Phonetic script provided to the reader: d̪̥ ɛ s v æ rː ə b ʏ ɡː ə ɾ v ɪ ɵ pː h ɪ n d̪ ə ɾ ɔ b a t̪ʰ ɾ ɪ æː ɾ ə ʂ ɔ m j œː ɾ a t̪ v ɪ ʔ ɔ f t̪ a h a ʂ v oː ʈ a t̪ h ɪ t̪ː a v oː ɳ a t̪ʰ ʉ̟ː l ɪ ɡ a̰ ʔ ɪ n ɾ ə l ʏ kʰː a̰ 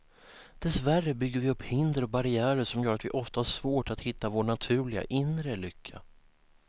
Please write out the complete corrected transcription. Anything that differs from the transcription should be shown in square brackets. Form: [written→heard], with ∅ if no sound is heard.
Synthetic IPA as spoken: d̪̥ ɛ s v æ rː ə b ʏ ɡː ə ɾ v ɪ ɵ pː h ɪ n d̪ ə ɾ ɔ b a [t̪ʰ→∅] ɾ ɪ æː ɾ ə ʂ ɔ m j œː ɾ a t̪ v ɪ ʔ ɔ f t̪ a h a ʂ v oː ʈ a t̪ h ɪ t̪ː a v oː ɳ a t̪ʰ ʉ̟ː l ɪ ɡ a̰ ʔ ɪ n ɾ ə l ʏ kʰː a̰

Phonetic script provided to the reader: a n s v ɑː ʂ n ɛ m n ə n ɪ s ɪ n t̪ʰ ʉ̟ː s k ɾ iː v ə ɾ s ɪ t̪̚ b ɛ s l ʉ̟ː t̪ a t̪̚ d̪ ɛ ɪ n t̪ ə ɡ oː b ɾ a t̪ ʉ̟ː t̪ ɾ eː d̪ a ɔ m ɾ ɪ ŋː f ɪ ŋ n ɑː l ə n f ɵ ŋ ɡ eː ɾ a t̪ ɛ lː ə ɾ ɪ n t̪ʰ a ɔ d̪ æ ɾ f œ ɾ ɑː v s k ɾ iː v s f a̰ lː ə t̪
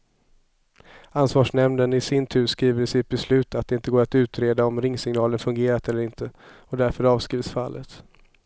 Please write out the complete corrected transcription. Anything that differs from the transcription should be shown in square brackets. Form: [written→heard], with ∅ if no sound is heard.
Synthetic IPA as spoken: a n s v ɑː ʂ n ɛ m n ə n ɪ s ɪ n t̪ʰ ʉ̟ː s k ɾ iː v ə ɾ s ɪ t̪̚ b ɛ s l ʉ̟ː t̪ a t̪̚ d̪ ɛ ɪ n t̪ ə ɡ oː [b→∅] ɾ a t̪ ʉ̟ː t̪ ɾ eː d̪ a ɔ m ɾ ɪ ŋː [f→s] ɪ ŋ n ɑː l ə n f ɵ ŋ ɡ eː ɾ a t̪ ɛ lː ə ɾ ɪ n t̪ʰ [a→ə] ɔ d̪ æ ɾ f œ ɾ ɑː v s k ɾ iː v s f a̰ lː ə t̪

